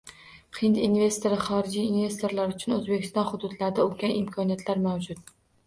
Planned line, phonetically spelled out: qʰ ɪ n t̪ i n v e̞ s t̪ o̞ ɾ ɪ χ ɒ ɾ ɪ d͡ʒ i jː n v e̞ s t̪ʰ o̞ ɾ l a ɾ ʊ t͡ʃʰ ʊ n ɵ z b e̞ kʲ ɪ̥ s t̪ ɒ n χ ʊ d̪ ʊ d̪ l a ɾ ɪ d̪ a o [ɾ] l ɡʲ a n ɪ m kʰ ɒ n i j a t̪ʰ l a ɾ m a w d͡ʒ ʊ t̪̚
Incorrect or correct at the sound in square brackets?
incorrect: none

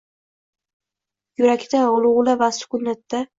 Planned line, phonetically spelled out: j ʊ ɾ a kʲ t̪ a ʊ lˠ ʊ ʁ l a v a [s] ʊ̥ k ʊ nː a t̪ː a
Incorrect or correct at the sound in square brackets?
correct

